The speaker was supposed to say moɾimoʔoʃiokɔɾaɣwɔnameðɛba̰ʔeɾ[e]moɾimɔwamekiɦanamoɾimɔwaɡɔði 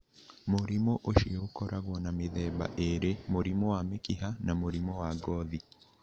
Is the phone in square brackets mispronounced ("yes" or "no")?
no